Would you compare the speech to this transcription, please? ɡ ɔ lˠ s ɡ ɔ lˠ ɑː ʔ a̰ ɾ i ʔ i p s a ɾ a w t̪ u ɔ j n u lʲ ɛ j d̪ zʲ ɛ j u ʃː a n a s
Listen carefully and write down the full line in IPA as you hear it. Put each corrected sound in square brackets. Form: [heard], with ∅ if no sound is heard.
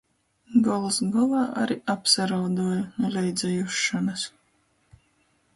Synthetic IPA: ɡ ɔ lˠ s ɡ ɔ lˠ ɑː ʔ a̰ ɾ i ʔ [a] p s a ɾ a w [d̪] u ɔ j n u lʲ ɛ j d̪ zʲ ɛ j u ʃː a n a s